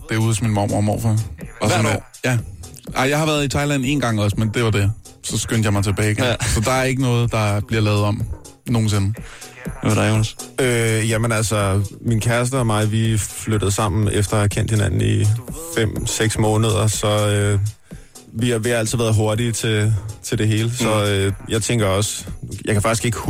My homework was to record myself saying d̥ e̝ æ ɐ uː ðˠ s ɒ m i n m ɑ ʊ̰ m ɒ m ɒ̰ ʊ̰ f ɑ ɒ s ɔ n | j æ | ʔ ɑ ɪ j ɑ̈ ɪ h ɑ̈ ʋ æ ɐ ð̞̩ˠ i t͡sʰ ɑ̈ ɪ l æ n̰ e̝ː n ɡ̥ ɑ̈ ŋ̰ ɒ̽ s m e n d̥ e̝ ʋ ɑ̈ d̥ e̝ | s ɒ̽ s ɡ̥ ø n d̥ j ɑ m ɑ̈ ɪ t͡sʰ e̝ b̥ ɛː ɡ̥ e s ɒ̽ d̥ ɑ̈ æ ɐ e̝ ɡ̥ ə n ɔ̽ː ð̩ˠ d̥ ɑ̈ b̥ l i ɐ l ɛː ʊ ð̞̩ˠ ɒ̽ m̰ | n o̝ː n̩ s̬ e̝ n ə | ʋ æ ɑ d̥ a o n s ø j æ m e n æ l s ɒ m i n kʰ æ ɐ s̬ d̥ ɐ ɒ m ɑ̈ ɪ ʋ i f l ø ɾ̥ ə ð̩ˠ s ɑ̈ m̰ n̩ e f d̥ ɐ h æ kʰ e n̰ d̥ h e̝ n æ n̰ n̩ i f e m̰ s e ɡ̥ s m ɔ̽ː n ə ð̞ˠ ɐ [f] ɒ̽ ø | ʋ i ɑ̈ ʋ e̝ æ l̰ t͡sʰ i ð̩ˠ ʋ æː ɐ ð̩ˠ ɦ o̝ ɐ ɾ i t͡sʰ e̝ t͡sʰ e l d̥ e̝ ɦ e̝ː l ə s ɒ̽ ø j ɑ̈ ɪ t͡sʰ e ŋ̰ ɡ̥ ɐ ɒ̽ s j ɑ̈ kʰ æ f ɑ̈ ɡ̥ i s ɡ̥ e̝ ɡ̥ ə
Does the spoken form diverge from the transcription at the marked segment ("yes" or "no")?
yes